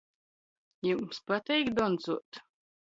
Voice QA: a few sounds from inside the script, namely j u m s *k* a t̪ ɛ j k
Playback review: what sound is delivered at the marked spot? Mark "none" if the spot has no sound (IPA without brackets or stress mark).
p